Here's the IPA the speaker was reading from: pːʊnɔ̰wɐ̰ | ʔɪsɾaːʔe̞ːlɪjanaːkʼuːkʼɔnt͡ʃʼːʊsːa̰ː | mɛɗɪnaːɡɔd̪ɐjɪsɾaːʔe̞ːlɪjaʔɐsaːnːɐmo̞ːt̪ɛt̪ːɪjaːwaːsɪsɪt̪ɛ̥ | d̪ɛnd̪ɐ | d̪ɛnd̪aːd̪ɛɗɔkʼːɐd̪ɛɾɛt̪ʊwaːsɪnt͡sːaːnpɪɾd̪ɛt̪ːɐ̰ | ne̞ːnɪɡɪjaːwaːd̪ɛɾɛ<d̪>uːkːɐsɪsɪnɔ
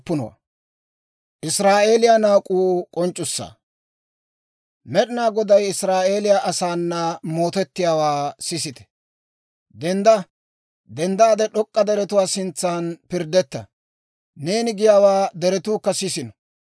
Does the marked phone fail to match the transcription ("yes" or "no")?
yes